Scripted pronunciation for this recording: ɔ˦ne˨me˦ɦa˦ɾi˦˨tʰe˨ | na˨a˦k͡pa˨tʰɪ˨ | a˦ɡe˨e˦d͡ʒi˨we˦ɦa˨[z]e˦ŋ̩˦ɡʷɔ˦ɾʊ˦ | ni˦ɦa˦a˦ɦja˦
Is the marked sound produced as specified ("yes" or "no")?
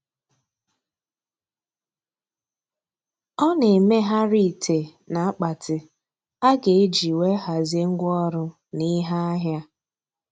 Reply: yes